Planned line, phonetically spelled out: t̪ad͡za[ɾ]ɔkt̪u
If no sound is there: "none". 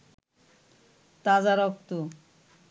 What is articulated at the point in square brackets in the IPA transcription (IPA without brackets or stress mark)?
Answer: ɾ